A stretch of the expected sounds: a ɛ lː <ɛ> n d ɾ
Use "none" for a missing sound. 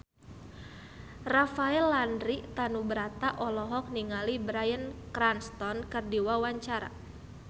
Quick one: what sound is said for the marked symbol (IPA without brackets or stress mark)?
a